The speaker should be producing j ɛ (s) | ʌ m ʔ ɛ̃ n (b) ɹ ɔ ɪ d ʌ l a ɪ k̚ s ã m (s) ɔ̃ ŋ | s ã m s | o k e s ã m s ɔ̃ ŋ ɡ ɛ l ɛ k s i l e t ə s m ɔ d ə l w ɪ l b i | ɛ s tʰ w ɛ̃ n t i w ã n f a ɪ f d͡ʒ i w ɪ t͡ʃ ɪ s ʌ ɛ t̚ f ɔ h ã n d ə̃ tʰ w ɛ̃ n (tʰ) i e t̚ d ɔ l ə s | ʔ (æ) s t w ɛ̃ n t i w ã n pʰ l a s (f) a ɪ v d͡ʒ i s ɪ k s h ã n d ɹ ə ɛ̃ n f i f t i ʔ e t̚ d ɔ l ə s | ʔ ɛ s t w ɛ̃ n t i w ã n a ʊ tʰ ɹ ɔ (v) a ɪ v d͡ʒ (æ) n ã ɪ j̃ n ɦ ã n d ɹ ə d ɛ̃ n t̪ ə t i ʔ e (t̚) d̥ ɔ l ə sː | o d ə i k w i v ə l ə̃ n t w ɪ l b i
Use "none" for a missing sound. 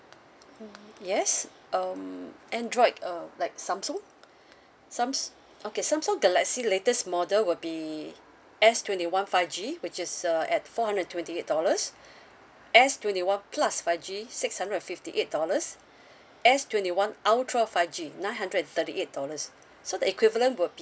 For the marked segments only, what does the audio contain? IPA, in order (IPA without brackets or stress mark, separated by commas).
s, d, s, t, ɛ, f, f, i, t̚